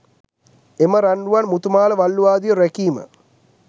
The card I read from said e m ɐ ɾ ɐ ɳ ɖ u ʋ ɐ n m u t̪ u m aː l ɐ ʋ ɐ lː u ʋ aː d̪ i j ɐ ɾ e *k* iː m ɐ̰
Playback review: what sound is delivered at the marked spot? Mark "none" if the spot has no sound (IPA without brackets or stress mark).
k